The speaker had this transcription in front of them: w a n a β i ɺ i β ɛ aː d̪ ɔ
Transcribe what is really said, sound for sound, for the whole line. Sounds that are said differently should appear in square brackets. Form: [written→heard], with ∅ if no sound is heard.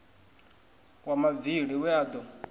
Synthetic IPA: w a [n→m] a [β→v] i ɺ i [β→w] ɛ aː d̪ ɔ